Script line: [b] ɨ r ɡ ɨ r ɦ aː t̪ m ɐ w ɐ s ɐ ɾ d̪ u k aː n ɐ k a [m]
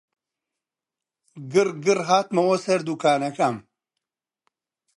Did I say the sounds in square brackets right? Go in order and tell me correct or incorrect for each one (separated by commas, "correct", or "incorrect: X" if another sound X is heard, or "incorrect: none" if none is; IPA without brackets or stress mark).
incorrect: ɡ, correct